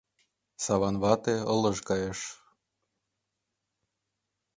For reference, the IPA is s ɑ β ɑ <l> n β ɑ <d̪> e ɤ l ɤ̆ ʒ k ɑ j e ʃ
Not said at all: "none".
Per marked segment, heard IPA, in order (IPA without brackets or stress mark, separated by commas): none, t̪